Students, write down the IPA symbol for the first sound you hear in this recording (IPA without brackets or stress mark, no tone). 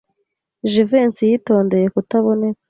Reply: ʒ